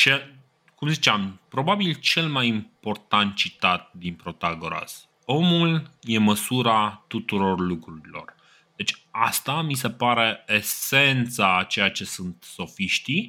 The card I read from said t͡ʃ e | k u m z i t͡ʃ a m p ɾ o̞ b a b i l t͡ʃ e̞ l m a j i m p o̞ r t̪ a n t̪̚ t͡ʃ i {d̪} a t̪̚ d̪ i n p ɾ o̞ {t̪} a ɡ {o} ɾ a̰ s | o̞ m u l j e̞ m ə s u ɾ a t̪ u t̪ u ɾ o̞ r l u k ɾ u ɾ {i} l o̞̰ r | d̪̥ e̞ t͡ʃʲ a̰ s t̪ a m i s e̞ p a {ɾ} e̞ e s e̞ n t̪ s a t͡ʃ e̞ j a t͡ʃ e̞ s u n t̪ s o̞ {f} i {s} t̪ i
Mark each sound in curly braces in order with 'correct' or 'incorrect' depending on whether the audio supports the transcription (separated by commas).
incorrect, correct, correct, correct, correct, correct, incorrect